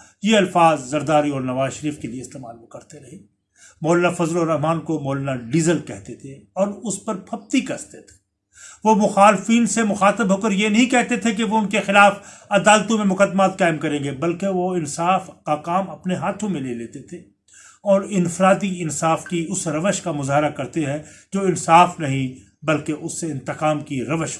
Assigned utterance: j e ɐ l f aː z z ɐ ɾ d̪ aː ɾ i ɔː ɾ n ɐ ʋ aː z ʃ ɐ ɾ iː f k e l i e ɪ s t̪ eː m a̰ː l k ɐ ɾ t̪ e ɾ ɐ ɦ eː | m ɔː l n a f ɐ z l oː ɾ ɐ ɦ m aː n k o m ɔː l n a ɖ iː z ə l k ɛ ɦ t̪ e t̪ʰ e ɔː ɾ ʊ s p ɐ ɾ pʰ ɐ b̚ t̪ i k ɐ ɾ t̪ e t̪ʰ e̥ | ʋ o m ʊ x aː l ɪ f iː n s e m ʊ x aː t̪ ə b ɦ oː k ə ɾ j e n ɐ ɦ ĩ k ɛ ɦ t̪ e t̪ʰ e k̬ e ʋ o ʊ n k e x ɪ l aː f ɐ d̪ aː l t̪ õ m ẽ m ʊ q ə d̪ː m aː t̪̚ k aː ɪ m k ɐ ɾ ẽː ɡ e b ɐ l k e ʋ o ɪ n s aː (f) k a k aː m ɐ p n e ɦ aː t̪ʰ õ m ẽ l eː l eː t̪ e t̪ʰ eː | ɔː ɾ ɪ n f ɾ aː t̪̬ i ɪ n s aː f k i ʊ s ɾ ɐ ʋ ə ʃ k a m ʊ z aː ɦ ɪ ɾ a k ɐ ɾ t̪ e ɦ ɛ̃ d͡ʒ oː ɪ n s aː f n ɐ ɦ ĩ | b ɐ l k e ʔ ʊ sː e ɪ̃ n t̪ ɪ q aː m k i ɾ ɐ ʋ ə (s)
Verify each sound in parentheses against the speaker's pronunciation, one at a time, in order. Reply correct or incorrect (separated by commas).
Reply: correct, incorrect